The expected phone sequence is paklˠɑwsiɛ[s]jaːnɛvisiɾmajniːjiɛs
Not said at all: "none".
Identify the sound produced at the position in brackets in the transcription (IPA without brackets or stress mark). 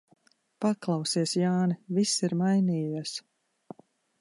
s